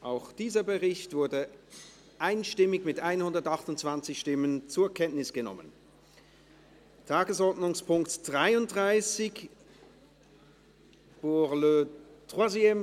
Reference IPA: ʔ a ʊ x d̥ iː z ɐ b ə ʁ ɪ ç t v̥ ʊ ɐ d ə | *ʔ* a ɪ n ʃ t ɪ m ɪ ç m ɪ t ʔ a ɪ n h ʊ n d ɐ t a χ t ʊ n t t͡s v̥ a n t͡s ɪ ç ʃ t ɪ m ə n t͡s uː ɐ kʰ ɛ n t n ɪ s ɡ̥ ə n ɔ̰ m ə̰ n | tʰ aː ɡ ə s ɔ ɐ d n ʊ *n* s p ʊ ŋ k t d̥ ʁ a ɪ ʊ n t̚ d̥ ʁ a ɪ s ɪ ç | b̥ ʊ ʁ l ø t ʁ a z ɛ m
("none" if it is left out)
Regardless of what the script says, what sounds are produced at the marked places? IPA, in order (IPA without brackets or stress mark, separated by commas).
ʔ, ŋ